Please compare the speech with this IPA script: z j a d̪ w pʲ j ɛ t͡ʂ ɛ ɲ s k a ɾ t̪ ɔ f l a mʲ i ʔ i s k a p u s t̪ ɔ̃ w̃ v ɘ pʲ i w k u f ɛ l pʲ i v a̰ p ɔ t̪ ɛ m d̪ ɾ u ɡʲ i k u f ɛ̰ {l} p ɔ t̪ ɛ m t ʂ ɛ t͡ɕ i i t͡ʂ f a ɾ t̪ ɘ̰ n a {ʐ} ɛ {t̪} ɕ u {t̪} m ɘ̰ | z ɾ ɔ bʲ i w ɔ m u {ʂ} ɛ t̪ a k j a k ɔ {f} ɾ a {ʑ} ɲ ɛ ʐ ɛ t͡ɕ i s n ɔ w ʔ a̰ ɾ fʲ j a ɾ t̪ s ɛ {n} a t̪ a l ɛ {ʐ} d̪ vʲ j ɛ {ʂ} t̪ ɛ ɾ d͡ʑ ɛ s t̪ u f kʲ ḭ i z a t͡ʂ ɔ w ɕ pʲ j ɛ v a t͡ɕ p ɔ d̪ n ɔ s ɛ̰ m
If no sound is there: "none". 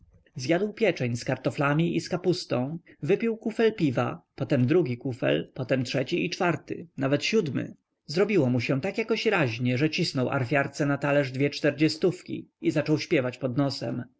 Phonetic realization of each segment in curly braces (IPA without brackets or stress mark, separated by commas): l, v, t̪, d̪, ɕ, ɕ, ʑ, n, ʐ, t͡ʂ